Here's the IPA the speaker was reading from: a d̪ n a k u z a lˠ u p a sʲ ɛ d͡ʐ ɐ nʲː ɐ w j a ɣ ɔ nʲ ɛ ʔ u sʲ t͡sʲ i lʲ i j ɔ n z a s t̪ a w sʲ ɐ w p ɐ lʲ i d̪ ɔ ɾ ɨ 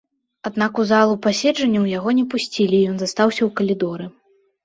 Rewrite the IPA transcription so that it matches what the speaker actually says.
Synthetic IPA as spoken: a d̪ n a k u z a lˠ u p a sʲ ɛ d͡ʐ ɐ nʲː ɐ w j a ɣ ɔ nʲ ɛ p u sʲ t͡sʲ i lʲ i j ɔ n z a s t̪ a w sʲ ɐ w k ɐ lʲ i d̪ ɔ ɾ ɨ